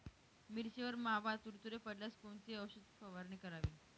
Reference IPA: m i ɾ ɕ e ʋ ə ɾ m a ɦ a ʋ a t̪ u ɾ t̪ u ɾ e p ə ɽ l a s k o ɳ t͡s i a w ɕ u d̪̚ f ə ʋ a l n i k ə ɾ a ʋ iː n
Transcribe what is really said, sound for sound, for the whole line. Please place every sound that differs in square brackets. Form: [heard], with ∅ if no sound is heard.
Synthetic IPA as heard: m i ɾ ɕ e ʋ ə ɾ m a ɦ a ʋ a t̪ u ɾ t̪ u ɾ e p ə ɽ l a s k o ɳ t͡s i [ə] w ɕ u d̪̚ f ə ʋ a [ɾ] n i k ə ɾ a ʋ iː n